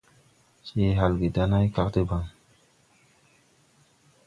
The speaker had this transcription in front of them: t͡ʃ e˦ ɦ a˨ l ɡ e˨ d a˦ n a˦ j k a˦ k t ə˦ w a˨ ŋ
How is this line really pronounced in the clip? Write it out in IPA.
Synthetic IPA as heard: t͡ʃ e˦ ɦ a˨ l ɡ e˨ d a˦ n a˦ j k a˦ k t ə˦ b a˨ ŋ